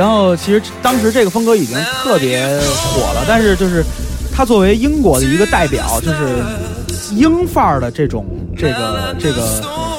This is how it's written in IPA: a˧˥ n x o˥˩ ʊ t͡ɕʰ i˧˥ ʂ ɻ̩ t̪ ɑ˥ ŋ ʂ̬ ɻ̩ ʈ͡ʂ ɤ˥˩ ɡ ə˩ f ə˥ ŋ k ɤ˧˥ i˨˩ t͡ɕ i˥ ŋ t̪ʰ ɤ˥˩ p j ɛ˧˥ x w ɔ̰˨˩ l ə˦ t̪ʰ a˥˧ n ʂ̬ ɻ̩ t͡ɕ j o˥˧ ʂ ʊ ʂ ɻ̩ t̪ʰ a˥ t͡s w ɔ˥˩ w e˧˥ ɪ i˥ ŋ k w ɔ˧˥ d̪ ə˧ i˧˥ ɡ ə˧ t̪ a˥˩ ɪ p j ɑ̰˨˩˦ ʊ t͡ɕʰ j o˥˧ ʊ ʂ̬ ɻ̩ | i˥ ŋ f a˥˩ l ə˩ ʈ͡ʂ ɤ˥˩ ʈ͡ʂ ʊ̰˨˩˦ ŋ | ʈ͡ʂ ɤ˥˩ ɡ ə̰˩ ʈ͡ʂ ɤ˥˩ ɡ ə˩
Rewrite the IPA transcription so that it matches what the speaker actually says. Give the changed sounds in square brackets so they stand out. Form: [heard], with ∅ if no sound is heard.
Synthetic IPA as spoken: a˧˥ n x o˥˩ ʊ t͡ɕʰ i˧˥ ʂ ɻ̩ t̪ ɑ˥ ŋ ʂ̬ ɻ̩ ʈ͡ʂ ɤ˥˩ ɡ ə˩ f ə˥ ŋ k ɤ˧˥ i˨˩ t͡ɕ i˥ ŋ t̪ʰ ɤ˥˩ p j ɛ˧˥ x w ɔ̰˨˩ l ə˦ [t̪] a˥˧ n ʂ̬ ɻ̩ t͡ɕ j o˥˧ [∅] ʊ ʂ ɻ̩ t̪ʰ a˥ t͡s w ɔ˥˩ w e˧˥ ɪ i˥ ŋ k w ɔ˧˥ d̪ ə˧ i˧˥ ɡ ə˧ t̪ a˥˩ ɪ p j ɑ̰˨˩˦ ʊ [t͡ɕ] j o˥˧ ʊ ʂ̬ ɻ̩ | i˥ ŋ f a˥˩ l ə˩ ʈ͡ʂ ɤ˥˩ ʈ͡ʂ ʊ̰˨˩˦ ŋ | ʈ͡ʂ ɤ˥˩ ɡ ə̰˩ ʈ͡ʂ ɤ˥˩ ɡ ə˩